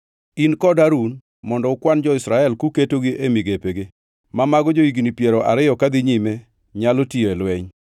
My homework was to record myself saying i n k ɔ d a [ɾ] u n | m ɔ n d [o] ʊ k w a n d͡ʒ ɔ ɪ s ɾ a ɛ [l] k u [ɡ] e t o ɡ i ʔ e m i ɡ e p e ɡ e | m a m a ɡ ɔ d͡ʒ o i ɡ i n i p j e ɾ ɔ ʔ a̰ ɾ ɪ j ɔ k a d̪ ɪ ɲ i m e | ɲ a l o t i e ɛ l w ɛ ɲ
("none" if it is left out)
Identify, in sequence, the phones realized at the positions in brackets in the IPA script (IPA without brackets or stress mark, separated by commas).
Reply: ɾ, ɔ, l, k